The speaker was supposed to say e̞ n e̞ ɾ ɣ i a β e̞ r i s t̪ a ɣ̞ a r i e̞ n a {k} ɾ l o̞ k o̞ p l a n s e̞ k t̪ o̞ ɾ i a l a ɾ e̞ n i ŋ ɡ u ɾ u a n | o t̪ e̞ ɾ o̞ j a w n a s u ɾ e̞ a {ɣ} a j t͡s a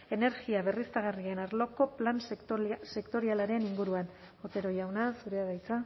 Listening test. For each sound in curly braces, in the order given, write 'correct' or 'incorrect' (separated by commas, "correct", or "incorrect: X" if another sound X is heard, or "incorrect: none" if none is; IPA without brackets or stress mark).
incorrect: none, incorrect: ð